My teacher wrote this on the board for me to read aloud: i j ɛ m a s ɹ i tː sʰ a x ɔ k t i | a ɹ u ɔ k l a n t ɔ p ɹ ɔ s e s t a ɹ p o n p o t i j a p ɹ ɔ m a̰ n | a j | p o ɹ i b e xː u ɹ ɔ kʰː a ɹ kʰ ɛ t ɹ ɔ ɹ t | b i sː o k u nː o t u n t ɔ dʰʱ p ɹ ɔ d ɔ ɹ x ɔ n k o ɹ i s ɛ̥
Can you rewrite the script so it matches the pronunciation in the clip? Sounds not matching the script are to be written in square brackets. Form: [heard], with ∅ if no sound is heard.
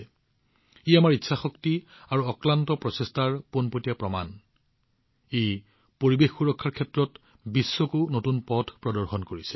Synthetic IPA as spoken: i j [a] m a [∅] ɹ i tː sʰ a x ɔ k t i | a ɹ u ɔ k l a n t ɔ p ɹ ɔ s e s t a ɹ p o n p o t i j a p ɹ ɔ m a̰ n | [e] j | p o ɹ i b e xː u ɹ ɔ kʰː a ɹ kʰ ɛ t ɹ ɔ [∅] t | b i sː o k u [n] o t u n [p] ɔ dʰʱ p ɹ ɔ d ɔ ɹ x ɔ n k o ɹ i s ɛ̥